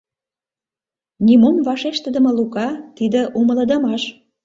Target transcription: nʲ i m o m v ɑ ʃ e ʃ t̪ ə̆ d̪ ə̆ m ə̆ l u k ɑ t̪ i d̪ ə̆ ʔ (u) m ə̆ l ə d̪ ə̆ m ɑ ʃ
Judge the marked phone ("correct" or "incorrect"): correct